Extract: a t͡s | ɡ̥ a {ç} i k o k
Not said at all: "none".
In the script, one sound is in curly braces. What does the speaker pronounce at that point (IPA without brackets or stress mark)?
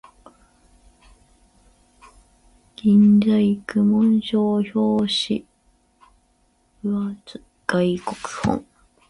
none